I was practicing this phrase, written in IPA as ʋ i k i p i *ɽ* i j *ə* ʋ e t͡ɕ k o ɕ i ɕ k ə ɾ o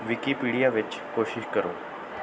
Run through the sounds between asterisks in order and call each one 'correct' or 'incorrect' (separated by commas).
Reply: correct, incorrect